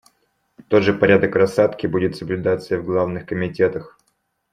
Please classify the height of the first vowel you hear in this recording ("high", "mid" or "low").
mid